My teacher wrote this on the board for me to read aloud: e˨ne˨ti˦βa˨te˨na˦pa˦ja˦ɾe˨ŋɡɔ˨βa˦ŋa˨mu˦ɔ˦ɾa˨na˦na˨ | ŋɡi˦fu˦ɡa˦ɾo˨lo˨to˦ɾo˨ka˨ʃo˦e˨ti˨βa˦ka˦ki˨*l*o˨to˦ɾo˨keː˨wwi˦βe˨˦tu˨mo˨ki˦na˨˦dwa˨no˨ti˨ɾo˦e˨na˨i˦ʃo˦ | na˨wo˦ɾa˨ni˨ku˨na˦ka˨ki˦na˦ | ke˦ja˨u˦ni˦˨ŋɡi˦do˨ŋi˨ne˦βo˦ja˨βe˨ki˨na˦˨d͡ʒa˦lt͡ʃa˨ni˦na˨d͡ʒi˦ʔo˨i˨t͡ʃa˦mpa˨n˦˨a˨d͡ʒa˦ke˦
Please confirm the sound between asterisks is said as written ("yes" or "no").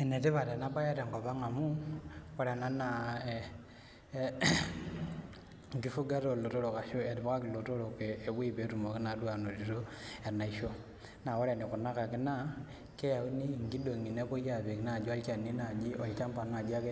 yes